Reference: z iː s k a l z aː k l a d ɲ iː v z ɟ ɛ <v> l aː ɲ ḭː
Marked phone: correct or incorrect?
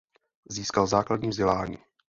incorrect